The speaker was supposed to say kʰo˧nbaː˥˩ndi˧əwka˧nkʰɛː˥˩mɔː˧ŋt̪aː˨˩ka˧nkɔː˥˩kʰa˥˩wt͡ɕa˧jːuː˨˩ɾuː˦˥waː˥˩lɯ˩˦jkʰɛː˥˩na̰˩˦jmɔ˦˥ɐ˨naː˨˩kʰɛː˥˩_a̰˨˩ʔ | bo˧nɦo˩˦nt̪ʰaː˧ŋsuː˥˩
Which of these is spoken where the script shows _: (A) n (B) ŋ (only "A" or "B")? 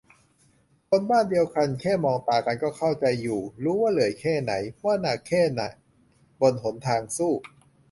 A